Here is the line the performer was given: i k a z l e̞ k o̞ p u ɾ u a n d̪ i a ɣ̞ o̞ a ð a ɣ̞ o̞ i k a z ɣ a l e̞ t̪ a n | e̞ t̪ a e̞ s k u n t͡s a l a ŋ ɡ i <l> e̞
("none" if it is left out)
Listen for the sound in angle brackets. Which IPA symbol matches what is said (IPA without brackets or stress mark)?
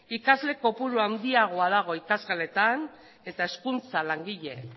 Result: ʎ